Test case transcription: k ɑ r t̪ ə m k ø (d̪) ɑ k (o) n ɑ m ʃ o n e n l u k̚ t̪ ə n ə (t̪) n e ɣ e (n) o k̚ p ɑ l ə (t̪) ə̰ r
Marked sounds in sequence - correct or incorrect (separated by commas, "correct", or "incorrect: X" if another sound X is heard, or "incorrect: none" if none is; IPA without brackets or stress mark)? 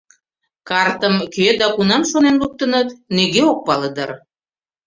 correct, incorrect: u, correct, incorrect: none, incorrect: d̪